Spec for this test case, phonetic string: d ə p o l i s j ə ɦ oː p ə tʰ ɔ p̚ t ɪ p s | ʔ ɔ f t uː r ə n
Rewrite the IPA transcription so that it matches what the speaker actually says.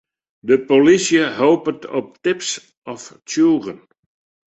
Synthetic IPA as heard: d ə p o l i s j ə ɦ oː p ə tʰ ɔ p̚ t ɪ p s | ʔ ɔ f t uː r ə n